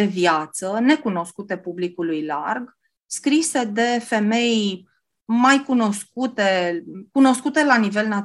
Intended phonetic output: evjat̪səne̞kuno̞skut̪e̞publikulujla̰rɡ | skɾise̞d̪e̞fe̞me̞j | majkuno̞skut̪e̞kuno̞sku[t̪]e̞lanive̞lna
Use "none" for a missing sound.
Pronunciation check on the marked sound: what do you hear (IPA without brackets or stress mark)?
t̪